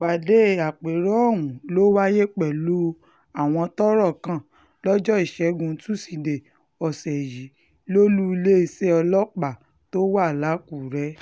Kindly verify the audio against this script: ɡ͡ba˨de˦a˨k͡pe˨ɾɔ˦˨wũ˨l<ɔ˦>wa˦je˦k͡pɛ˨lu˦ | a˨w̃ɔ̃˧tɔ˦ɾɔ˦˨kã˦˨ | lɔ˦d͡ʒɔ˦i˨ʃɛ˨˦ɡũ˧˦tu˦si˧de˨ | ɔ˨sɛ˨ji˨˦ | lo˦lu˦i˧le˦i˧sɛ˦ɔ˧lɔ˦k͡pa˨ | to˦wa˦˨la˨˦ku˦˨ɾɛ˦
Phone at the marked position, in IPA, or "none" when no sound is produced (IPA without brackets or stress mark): o˦